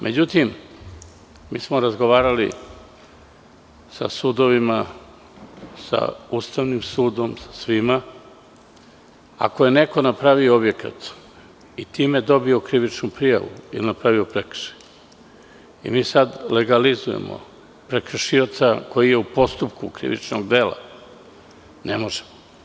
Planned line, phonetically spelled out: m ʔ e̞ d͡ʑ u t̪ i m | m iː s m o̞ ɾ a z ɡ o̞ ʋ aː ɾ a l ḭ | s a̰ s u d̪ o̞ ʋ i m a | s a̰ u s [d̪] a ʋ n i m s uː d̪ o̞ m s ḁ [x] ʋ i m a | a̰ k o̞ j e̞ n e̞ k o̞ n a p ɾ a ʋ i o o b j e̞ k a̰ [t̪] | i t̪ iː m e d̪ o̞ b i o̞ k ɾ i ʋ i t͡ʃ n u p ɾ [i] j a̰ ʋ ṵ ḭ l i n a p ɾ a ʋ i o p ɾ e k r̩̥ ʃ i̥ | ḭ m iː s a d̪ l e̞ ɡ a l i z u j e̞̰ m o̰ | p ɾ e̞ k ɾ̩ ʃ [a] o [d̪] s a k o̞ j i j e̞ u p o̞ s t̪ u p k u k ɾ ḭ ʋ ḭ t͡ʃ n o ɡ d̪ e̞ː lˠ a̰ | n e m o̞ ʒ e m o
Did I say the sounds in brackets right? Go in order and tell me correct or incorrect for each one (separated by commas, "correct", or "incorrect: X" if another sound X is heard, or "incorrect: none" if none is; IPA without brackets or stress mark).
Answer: incorrect: t̪, incorrect: s, correct, correct, incorrect: i, incorrect: t̪